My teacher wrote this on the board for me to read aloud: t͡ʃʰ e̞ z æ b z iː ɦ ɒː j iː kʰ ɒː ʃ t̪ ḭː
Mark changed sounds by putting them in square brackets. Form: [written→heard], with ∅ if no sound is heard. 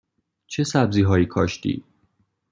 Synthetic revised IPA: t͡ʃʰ e̞ [z→s] æ b z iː ɦ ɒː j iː kʰ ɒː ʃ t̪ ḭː

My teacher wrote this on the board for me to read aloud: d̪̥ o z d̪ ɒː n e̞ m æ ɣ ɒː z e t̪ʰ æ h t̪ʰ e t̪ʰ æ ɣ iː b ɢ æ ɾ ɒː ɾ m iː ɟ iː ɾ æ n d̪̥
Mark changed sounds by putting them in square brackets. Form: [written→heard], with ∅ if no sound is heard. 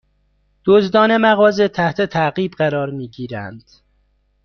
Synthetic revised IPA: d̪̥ o z d̪ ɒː n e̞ m æ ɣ ɒː z e t̪ʰ æ h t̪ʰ e t̪ʰ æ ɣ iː b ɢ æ ɾ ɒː ɾ m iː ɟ iː ɾ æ n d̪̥

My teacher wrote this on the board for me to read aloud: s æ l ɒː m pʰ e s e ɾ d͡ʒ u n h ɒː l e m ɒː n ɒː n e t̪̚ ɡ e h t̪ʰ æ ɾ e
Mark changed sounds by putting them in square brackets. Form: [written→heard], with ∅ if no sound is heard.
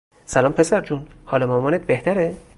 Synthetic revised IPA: s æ l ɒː m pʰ e s [e→æ] ɾ d͡ʒ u n h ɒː l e m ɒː [n→m] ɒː n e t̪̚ [ɡ→b] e h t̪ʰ æ ɾ e

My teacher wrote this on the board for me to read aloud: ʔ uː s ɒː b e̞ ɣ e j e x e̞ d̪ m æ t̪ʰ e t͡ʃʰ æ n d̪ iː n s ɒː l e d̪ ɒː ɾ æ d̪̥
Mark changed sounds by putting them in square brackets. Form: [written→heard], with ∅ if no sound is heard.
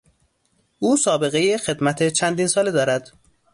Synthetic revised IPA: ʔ uː s ɒː b e̞ ɣ e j e x e̞ d̪ m æ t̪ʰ e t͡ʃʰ æ n d̪ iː n s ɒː l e d̪ ɒː ɾ æ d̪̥

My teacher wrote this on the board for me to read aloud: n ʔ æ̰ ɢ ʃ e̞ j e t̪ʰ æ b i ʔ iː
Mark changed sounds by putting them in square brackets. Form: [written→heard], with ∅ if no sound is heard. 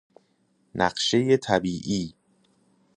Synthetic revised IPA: n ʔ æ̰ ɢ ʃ e̞ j e t̪ʰ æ b [i→iː] ʔ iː

